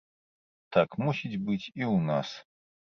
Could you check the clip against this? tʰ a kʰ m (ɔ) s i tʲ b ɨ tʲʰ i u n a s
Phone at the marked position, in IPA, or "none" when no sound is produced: u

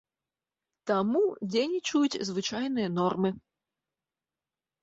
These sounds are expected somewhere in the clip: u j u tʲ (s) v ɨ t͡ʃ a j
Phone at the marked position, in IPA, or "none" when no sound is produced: z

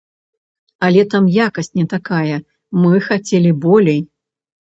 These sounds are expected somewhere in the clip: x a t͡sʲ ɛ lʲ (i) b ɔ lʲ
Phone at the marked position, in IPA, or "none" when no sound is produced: i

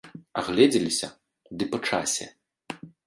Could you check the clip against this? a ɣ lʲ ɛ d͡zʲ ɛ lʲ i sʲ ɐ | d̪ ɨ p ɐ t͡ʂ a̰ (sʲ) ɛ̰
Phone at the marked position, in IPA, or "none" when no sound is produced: sʲ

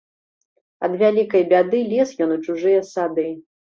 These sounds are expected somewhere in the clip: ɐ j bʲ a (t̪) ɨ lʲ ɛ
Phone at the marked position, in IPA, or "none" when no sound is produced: d̪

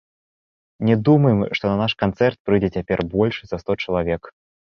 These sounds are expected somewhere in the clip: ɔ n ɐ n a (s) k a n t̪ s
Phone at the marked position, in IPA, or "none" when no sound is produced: ʂ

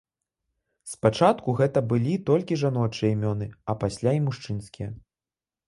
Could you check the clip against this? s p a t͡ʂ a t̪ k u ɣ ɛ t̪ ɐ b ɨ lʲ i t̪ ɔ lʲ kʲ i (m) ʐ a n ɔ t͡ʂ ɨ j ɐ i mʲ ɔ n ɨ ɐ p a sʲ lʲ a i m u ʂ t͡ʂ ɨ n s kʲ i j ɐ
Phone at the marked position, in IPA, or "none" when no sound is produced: none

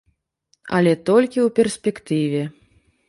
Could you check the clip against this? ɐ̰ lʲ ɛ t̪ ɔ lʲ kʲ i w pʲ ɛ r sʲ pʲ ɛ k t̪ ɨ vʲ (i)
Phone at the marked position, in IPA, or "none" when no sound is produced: ɛ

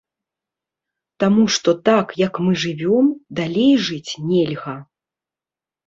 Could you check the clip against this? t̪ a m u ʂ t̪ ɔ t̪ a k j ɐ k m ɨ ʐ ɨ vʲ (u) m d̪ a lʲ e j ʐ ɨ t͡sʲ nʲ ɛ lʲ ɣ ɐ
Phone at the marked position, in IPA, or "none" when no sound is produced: ɔ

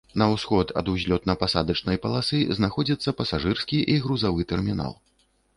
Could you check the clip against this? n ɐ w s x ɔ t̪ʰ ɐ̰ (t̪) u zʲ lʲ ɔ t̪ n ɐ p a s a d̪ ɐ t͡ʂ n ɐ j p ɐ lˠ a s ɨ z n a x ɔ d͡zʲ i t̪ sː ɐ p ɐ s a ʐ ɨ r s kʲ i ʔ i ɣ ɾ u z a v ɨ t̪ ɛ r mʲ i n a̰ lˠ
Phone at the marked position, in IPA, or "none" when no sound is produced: d̪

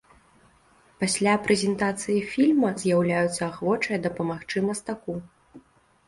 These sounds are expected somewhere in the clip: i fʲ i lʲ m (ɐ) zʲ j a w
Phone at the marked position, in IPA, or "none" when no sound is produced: ɐ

